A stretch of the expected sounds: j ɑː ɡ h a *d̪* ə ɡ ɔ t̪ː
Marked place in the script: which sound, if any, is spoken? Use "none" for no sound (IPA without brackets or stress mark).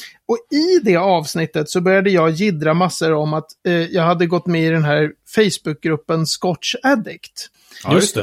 d̪ː